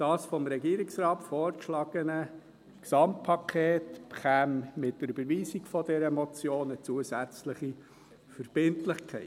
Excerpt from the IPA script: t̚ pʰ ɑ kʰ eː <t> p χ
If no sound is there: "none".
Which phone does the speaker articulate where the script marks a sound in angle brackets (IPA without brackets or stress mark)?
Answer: t